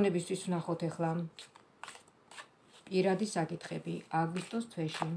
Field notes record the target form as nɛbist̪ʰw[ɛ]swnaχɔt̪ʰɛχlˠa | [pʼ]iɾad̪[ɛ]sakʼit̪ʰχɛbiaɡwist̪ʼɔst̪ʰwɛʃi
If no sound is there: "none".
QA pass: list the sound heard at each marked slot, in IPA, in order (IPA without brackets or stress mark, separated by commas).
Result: i, pʼ, i